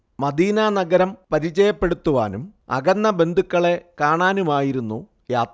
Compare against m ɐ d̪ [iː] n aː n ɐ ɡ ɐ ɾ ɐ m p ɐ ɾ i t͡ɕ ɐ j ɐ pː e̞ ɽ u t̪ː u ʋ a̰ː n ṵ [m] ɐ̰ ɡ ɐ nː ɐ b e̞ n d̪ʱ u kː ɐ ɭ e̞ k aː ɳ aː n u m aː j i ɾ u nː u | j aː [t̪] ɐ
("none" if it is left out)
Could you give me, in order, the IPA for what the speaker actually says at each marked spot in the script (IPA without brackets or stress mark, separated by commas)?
iː, m, t̪